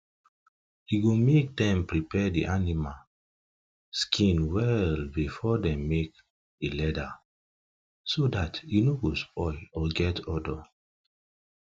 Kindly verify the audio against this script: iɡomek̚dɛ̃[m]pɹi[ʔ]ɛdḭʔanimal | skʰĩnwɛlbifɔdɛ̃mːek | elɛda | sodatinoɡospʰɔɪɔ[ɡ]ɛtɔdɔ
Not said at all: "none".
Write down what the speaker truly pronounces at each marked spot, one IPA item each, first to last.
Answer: m, p, ɡ

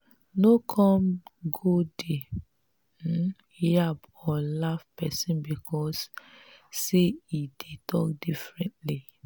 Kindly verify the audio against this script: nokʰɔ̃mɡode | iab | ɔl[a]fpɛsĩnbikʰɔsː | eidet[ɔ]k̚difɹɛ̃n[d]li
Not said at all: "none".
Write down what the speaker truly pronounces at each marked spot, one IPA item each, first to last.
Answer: a, ɔ, t

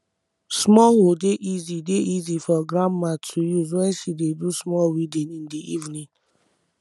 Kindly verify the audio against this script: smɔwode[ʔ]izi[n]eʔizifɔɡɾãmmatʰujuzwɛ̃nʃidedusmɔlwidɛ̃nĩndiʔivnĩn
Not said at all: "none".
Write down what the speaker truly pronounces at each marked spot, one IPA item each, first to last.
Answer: ʔ, d

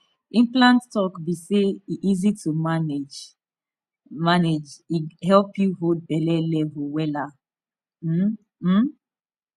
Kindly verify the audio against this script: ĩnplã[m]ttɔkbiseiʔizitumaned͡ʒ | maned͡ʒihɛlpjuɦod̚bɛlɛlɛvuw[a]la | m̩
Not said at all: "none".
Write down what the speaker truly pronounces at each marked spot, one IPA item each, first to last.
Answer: n, ɛ

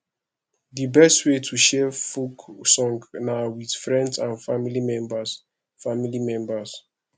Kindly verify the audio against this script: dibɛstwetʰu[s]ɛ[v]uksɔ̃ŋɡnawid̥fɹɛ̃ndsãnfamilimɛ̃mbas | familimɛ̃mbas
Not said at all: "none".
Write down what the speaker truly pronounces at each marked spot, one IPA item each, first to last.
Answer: ʃ, f

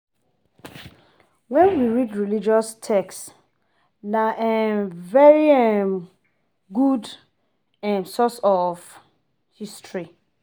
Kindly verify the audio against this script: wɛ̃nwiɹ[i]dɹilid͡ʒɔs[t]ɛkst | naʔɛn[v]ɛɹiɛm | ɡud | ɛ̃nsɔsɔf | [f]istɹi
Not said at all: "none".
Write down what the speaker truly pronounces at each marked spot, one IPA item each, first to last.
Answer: i, tʰ, v, h

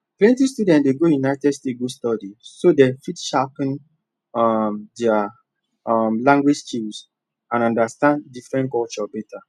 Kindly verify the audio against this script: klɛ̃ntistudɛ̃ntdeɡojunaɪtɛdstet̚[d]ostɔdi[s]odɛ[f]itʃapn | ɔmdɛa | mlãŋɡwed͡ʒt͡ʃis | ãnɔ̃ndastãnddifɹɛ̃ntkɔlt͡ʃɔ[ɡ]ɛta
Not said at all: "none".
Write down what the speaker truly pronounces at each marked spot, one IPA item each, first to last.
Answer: ɡ, s, f, b

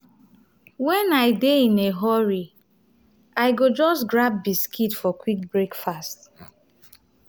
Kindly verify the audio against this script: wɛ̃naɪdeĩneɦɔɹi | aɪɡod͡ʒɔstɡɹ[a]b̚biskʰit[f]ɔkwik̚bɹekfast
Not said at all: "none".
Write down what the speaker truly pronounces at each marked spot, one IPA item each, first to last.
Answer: a, f

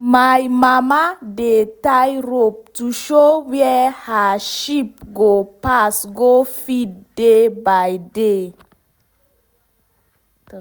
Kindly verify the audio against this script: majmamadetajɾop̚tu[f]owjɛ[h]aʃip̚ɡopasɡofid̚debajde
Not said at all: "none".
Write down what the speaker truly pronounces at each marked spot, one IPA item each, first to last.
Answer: ʃ, h

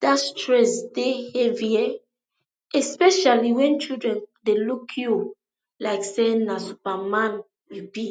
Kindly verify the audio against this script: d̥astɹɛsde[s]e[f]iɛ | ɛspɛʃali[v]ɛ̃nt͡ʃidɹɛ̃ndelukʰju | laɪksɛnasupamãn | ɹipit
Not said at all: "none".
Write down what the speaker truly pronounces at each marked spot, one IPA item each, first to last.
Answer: h, v, w

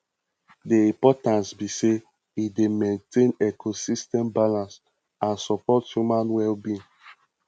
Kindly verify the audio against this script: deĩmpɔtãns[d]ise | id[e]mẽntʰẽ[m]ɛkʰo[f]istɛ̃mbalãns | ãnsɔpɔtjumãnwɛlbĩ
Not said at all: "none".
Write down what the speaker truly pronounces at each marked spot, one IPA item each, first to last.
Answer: b, e, n, s

